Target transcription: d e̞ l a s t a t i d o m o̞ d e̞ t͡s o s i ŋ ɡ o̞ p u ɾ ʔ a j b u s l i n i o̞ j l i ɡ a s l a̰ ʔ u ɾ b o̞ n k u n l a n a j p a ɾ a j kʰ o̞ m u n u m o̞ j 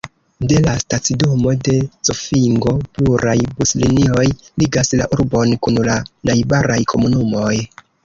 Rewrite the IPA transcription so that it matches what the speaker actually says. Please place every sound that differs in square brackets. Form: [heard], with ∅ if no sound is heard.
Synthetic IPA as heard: d e̞ l a s t a [t͡s] i d o m o̞ d e̞ t͡s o [f] i ŋ ɡ o̞ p u ɾ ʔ a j b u s l i n i o̞ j l i ɡ a s l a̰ ʔ u ɾ b o̞ n k u n l a n a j [b] a ɾ a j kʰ o̞ m u n u m o̞ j